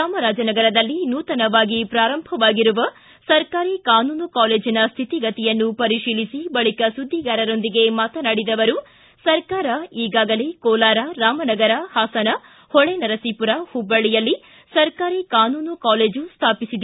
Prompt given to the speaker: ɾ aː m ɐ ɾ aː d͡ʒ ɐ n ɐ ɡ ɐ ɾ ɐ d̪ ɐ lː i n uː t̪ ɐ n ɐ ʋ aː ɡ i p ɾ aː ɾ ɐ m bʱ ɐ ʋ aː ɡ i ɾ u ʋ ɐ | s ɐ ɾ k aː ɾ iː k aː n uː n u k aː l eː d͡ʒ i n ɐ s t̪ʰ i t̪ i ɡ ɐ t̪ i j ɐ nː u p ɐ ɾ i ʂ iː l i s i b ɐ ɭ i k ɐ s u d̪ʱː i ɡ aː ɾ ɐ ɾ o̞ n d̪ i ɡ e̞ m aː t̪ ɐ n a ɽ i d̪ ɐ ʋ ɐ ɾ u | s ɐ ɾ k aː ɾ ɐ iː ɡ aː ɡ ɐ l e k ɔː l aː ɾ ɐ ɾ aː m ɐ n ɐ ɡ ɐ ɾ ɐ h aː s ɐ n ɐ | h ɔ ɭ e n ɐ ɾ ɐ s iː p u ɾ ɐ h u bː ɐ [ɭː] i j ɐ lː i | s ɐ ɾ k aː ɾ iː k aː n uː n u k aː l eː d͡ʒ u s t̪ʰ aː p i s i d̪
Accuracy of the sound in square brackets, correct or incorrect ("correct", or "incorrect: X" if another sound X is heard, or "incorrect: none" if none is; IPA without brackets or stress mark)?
incorrect: ɭ